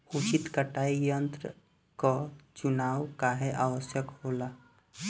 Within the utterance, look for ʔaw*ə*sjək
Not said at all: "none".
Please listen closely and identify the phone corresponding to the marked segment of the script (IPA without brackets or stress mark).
ə